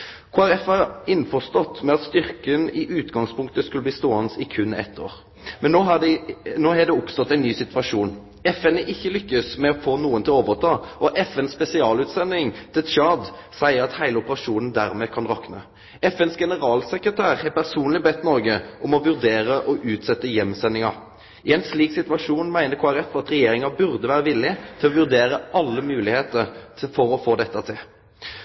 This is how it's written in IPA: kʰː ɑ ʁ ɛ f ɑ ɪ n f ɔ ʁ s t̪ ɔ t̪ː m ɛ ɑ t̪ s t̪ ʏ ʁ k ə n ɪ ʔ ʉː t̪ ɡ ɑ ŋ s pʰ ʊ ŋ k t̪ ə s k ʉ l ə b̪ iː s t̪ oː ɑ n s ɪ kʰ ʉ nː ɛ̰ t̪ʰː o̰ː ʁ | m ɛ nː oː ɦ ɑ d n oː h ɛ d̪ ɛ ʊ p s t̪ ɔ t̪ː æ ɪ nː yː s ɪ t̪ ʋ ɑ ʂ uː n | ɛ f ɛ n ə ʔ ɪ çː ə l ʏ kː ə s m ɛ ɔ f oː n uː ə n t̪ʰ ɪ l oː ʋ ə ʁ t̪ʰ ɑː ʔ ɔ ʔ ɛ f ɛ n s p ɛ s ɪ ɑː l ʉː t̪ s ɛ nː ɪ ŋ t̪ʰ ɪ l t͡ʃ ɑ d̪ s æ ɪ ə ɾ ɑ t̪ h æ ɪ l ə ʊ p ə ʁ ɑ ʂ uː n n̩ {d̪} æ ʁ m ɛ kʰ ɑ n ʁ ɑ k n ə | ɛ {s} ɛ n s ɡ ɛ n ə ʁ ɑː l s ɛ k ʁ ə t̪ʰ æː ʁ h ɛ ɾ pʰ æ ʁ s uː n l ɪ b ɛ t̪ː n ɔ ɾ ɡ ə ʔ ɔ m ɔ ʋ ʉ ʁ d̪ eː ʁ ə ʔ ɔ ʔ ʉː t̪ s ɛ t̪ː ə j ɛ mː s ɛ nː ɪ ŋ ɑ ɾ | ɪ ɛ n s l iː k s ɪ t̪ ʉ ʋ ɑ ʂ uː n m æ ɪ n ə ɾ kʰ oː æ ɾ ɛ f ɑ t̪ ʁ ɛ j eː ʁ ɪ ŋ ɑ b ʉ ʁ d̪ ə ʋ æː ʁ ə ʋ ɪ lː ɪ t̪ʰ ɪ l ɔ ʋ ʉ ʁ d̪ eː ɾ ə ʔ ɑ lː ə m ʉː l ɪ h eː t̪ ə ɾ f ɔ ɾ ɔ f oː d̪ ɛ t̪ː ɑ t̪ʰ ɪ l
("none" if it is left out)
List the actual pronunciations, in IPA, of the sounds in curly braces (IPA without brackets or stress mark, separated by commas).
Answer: d̪, f